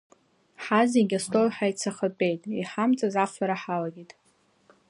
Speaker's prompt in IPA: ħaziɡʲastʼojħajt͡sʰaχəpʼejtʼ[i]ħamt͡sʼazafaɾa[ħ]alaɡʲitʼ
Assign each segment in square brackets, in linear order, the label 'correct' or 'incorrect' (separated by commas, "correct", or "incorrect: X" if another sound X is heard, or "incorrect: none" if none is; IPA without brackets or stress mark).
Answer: correct, correct